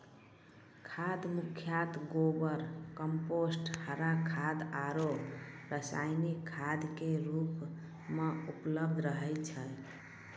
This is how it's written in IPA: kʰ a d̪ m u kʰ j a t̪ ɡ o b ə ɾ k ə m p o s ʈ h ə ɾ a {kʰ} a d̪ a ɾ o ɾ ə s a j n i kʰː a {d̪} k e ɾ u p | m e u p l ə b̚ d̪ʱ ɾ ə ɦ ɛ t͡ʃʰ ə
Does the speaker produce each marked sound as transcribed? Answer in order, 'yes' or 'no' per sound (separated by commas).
yes, yes